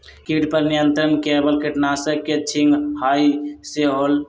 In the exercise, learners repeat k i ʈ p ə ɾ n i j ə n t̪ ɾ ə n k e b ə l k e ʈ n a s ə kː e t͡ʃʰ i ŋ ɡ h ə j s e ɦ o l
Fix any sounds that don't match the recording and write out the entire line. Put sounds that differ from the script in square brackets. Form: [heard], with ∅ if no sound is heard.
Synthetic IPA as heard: k i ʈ p ə ɾ n i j ə n t̪ ɾ ə n k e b ə l k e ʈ n a s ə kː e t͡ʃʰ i ŋ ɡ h [a] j s e ɦ o l